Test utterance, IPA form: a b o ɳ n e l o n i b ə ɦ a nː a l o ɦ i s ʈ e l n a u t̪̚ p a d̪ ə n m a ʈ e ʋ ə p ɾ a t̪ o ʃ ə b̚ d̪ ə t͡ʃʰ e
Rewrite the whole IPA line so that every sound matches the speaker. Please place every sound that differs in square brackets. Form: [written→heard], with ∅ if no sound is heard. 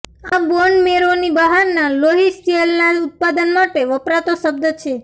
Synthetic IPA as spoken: a b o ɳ [n→m] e [l→ɾ] o n i b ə ɦ a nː a l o ɦ i s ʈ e l n a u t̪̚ p a d̪ ə n m a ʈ e ʋ ə p ɾ a t̪ o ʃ ə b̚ d̪ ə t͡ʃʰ e